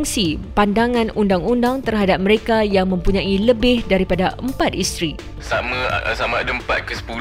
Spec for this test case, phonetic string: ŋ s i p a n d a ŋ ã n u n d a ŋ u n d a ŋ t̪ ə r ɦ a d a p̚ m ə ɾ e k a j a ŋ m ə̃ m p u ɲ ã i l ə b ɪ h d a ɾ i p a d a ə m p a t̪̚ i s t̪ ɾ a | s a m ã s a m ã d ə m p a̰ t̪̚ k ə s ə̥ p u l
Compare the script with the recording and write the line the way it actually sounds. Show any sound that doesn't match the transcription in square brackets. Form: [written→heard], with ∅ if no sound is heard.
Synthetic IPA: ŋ s i p a n d a ŋ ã n u n d a ŋ u n d a ŋ t̪ ə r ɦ a d a p̚ m ə ɾ e k a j a ŋ m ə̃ m p u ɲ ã i l ə b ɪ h d a ɾ i p a d a ə m p a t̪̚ i s t̪ ɾ [a→i] | s a m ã s a m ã d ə m p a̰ t̪̚ k ə s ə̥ p u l